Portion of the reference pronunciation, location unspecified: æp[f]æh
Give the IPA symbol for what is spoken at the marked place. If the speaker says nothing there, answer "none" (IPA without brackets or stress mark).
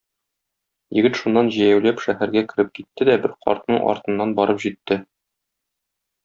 ʃ